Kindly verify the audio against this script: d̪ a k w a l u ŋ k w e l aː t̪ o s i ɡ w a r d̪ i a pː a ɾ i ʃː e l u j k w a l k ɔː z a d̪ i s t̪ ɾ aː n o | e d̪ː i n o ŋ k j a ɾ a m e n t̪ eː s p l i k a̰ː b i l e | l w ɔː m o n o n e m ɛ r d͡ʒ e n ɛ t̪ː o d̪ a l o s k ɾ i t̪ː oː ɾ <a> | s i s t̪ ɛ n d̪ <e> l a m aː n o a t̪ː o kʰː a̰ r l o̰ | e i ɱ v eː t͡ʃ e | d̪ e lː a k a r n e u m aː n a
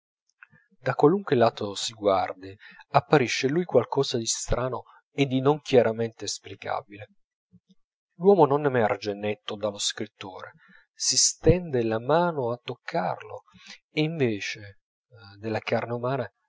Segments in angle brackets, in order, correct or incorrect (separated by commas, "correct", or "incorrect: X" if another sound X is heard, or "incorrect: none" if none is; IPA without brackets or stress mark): incorrect: e, correct